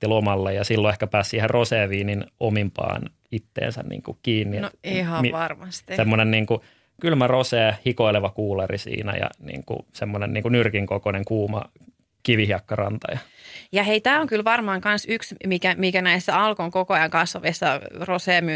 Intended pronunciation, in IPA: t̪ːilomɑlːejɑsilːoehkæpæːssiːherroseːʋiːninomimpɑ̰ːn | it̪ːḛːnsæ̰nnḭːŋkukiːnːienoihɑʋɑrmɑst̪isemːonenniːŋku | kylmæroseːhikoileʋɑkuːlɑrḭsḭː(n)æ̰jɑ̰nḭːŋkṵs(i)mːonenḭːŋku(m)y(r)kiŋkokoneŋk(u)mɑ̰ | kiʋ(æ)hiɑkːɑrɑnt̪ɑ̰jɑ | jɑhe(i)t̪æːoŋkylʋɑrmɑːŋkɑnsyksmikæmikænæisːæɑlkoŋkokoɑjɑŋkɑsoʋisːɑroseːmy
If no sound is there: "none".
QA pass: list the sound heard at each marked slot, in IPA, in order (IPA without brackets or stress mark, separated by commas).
n, e, n, r, uː, i, i